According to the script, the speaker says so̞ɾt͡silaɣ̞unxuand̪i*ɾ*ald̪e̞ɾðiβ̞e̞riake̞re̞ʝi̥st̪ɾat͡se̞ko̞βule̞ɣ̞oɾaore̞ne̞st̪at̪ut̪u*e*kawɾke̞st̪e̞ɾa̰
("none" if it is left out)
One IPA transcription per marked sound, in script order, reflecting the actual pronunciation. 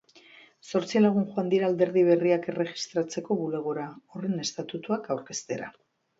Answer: ɾ, a

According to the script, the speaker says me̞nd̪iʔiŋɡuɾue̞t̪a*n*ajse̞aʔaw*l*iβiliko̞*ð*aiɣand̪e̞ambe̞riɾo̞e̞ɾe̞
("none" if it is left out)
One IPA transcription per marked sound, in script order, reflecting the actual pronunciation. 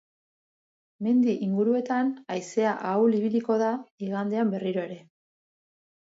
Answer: n, l, ð

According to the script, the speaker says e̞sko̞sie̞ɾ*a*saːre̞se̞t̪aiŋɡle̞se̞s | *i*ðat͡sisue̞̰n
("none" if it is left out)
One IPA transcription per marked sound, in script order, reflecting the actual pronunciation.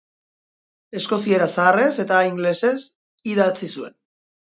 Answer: a, i

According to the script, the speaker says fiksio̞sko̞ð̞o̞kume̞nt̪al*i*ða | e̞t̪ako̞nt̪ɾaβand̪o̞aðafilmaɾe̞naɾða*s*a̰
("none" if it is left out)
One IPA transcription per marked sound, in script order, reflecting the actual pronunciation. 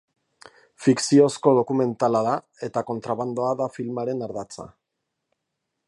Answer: a, t͡s

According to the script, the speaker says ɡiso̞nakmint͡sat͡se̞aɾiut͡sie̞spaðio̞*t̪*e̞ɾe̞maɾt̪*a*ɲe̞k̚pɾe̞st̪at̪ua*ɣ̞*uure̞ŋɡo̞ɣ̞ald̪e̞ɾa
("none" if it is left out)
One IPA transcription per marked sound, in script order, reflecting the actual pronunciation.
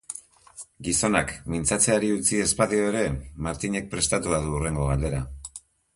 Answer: none, i, ð̞

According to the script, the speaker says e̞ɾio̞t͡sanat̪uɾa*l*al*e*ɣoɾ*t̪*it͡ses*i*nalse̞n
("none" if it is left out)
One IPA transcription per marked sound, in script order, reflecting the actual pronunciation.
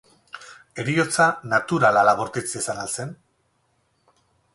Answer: l, a, t̪, a

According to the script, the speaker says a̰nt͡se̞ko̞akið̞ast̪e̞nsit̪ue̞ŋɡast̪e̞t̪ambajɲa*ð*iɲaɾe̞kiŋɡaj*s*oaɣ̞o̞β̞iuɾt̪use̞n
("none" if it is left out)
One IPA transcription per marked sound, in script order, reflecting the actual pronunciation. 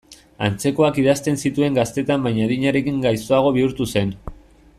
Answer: ð, s

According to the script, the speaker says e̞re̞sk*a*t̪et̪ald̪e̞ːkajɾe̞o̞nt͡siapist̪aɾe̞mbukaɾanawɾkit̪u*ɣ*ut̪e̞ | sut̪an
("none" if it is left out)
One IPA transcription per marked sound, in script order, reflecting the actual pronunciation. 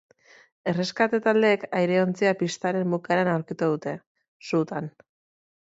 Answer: a, ð

